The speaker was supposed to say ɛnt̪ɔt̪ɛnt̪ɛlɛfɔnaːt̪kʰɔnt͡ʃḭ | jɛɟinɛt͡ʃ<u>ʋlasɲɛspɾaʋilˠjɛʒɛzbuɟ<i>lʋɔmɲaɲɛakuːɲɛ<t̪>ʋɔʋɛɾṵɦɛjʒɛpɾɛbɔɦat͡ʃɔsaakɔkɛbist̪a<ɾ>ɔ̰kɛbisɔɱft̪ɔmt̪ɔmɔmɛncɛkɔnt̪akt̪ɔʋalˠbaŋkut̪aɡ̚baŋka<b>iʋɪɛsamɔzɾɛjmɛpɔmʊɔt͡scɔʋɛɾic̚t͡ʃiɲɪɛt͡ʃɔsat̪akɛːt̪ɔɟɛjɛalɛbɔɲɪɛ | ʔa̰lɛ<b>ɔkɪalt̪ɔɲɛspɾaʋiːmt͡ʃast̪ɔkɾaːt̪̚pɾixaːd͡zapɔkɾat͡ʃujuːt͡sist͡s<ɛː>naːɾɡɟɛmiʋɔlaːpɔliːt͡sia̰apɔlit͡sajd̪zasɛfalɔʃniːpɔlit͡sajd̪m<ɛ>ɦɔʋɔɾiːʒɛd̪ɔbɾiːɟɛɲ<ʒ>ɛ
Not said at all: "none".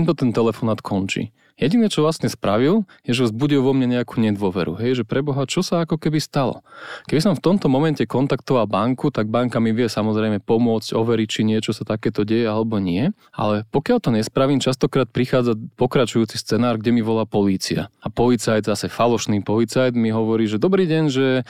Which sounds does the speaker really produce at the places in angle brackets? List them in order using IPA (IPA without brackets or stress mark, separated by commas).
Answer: ɔ, i, d̪, l, m, p, ɛ, i, ʒ